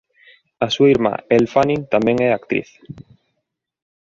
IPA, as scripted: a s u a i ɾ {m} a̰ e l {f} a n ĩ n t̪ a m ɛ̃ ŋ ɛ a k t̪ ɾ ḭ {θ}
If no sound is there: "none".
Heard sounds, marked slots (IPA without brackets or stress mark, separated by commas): m, f, θ